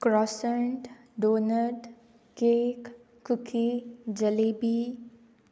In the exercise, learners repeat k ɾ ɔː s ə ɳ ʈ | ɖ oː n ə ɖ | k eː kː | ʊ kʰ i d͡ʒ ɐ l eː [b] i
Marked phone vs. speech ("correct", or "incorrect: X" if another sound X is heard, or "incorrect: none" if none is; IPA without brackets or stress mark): correct